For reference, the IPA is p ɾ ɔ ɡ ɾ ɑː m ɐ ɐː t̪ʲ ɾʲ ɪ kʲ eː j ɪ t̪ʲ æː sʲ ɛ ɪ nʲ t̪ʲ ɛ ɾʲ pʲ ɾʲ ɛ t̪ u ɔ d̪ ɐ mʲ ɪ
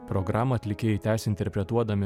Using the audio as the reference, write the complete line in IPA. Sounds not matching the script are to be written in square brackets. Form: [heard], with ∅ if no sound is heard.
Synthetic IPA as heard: p ɾ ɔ ɡ ɾ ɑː m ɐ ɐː t̪ʲ [lʲ] ɪ kʲ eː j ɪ t̪ʲ æː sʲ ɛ ɪ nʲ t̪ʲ ɛ ɾʲ pʲ ɾʲ ɛ t̪ u ɔ d̪ ɐ mʲ ɪ